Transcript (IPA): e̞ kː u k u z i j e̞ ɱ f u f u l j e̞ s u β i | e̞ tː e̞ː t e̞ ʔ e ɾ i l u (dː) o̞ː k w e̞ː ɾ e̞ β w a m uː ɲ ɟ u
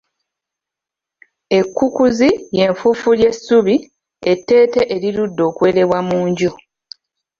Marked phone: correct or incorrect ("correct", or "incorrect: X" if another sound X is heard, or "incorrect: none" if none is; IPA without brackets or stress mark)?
correct